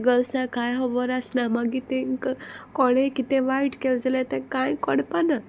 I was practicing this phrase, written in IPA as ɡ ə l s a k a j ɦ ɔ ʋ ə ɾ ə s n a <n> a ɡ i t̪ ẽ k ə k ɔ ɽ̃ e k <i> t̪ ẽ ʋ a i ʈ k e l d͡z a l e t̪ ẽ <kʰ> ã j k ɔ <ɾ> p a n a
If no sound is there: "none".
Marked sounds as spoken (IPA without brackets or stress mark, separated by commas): m, i, k, ɽ